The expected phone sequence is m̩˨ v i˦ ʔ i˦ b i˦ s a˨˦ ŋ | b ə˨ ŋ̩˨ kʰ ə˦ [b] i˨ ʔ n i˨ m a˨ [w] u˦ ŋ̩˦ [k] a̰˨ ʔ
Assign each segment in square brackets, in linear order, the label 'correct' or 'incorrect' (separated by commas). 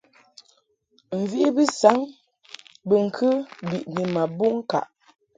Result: correct, incorrect, correct